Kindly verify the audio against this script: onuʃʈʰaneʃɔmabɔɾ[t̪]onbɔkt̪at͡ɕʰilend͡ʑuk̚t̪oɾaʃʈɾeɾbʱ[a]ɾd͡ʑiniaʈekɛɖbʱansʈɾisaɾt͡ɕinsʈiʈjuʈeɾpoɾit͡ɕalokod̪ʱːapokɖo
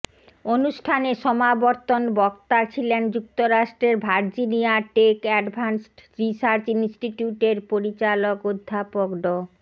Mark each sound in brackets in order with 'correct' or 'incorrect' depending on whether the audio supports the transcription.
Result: correct, correct

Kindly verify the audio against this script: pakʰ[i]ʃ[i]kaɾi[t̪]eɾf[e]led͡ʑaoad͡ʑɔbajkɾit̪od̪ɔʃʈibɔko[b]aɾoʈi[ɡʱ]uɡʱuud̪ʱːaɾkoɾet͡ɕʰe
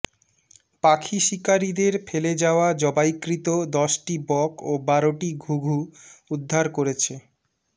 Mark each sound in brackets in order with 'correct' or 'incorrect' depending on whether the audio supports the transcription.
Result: correct, correct, incorrect: d̪, correct, correct, correct

